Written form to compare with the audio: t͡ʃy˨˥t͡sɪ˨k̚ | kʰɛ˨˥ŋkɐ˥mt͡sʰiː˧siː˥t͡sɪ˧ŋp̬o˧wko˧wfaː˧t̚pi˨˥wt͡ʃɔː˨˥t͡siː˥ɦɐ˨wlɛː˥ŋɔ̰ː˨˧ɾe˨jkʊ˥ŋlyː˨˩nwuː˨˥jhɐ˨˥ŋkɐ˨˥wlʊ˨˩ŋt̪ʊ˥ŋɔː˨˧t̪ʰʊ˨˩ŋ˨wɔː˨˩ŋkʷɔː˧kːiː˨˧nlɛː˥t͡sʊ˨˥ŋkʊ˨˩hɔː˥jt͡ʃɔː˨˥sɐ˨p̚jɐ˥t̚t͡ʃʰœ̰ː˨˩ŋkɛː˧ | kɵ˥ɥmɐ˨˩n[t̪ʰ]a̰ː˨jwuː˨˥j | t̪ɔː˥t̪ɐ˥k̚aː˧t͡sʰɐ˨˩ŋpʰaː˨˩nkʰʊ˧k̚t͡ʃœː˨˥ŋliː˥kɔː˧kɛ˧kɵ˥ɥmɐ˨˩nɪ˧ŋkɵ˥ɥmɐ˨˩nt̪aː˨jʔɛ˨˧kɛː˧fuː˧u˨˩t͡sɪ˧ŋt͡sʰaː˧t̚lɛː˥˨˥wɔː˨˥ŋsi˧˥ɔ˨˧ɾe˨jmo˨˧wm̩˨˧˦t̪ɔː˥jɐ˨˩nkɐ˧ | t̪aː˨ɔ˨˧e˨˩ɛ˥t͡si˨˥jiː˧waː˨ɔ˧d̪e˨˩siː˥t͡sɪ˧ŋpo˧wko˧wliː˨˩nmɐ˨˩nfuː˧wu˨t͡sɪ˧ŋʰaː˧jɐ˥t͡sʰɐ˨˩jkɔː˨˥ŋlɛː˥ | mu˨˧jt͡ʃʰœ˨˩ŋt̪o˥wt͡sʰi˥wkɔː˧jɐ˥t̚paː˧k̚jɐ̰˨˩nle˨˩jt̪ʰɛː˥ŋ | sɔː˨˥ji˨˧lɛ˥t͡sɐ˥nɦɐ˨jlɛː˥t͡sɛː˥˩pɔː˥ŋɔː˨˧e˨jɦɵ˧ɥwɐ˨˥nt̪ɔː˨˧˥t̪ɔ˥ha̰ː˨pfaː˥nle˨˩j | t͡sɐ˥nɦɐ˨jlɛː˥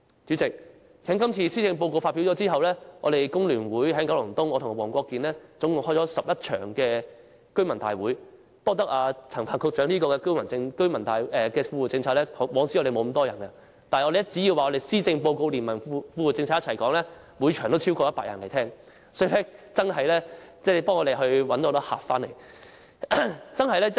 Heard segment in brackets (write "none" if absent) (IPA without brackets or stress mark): t̪